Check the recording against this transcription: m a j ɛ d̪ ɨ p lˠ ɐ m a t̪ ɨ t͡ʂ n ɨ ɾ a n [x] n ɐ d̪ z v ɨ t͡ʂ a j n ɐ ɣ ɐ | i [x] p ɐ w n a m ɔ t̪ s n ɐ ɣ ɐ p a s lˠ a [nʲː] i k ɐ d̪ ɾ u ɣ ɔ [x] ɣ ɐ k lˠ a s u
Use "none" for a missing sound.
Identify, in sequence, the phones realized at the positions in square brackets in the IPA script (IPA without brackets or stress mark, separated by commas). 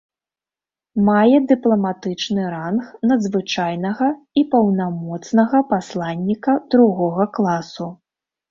x, none, nʲː, none